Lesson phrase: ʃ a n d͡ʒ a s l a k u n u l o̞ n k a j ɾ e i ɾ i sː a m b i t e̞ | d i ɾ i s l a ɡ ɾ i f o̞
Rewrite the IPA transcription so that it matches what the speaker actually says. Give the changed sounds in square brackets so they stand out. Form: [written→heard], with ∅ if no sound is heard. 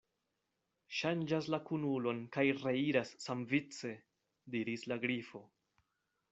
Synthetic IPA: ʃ a n d͡ʒ a s l a k u n u l o̞ n k a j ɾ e i ɾ [i→a] sː a m [b→v] i [t→t͡s] e̞ | d i ɾ i s l a ɡ ɾ i f o̞